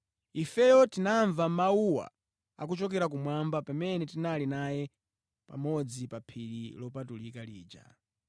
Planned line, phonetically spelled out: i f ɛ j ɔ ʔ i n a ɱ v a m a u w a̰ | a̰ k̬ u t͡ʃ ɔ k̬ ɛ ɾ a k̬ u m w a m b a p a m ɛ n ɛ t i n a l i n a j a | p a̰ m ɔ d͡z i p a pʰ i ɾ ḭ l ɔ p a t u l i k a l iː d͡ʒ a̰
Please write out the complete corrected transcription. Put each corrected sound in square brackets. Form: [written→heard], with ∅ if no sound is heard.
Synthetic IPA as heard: i f ɛ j ɔ [ʔ→t] i n a ɱ v a m a u w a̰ | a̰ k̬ u t͡ʃ ɔ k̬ ɛ ɾ a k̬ u m w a m b a p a m ɛ n ɛ t i n a l i n a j [a→ɛ] | p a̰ m ɔ d͡z i p a pʰ i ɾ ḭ l ɔ p a t u l i k a l iː d͡ʒ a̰